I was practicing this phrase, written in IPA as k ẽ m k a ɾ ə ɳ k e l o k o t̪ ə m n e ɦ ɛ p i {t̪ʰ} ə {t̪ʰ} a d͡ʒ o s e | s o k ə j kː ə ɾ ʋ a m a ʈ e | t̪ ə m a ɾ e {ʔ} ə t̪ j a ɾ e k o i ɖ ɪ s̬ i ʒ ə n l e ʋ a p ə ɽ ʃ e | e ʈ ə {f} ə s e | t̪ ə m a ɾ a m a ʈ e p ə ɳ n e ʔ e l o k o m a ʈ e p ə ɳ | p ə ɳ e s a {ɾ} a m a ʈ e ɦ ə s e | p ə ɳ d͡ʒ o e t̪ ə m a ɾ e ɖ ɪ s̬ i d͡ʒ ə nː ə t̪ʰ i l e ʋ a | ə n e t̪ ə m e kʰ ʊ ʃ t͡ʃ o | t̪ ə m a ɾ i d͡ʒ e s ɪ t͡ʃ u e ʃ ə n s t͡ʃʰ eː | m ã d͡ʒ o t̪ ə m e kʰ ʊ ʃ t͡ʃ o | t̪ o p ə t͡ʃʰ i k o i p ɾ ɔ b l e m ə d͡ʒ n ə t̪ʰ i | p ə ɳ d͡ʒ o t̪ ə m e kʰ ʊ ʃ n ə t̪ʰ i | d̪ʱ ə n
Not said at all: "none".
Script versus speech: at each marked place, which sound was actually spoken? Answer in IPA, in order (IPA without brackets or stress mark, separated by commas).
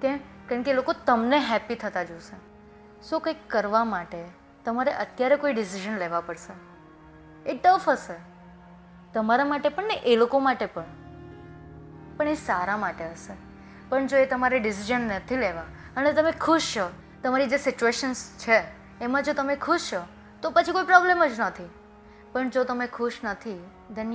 t̪ʰ, t̪, ʔ, f, ɾ